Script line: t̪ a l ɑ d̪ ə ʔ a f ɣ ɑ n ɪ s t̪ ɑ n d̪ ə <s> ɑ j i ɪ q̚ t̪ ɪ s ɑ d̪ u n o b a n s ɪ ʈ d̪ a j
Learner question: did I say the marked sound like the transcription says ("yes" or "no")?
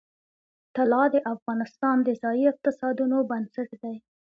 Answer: no